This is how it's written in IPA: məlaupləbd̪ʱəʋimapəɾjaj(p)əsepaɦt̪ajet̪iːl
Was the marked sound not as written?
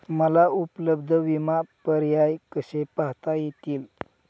yes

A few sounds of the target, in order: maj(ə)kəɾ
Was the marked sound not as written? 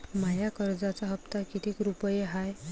yes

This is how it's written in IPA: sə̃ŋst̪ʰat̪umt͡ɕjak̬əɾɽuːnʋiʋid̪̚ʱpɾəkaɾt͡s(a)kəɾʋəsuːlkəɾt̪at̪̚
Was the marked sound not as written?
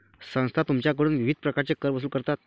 yes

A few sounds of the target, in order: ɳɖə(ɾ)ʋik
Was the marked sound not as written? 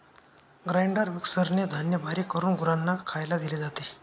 no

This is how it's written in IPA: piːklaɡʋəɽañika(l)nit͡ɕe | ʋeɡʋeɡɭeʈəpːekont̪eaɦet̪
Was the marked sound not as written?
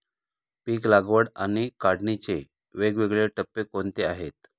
yes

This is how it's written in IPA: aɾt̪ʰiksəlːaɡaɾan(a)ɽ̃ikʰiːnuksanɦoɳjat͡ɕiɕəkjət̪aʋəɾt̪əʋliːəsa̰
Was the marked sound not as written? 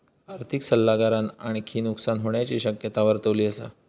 no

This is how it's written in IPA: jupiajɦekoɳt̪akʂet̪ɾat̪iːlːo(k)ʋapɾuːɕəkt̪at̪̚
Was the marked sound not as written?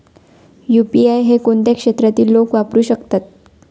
no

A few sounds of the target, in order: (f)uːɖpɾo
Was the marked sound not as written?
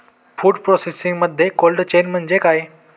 no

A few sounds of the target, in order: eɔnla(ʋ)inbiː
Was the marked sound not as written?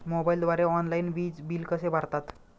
yes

